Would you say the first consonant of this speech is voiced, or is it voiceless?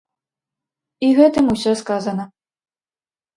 voiced